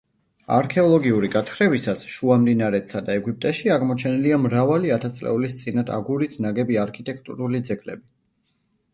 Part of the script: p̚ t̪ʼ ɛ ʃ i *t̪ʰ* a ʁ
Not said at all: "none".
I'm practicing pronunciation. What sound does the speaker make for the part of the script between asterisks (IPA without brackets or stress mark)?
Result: none